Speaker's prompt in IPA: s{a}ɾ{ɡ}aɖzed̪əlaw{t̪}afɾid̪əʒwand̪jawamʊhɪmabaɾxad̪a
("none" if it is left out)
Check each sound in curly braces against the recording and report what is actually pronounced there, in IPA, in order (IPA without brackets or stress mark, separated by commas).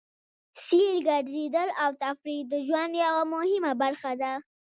i, ɡ, t̪